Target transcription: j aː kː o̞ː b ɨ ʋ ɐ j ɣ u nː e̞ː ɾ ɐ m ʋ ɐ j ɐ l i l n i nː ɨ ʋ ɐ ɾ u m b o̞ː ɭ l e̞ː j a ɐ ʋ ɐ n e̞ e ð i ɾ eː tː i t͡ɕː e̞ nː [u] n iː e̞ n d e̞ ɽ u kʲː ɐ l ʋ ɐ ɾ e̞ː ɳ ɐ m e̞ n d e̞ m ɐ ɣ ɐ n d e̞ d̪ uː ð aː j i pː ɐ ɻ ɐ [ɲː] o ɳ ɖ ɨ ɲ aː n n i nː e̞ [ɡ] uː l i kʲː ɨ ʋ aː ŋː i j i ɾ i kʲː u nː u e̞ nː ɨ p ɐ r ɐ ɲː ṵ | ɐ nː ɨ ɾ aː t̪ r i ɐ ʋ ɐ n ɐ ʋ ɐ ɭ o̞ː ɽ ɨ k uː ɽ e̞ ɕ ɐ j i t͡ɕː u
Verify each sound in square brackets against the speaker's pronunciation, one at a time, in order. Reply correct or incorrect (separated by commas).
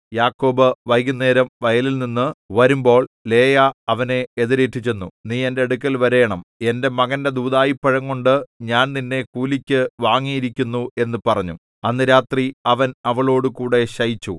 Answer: correct, incorrect, incorrect